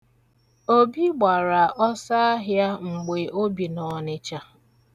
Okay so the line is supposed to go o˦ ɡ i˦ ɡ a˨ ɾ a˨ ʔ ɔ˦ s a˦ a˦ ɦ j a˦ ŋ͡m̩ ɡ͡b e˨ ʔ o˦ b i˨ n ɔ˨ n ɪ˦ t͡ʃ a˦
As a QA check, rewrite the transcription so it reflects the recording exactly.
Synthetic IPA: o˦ b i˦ ɡ͡b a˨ ɾ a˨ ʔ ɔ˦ s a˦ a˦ ɦ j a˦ ŋ͡m̩ ɡ͡b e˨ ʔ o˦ b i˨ n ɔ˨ n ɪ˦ t͡ʃ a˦